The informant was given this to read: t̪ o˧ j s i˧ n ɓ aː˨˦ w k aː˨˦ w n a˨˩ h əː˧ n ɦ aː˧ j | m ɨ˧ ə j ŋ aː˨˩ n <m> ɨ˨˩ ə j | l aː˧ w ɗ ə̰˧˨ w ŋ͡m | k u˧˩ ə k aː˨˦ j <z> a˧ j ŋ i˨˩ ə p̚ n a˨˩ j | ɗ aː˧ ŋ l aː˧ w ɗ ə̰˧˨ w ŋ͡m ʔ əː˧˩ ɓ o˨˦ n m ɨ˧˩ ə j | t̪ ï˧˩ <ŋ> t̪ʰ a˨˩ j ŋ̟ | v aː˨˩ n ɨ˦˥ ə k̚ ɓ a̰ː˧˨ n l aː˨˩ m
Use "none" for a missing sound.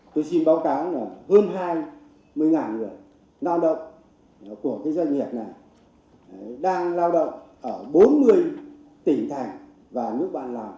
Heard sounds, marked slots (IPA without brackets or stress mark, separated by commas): ŋ, z, ŋ